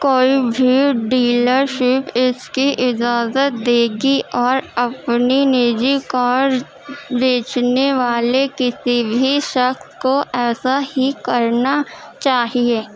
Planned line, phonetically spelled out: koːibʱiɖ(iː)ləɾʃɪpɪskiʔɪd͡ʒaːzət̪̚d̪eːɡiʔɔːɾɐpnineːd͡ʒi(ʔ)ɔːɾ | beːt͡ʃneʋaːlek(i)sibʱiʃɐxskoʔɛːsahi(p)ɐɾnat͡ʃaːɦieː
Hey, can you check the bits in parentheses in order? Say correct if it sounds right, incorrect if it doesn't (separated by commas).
correct, incorrect, incorrect, incorrect